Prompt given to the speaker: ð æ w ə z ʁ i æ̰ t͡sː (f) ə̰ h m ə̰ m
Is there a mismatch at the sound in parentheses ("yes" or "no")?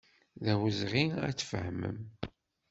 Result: no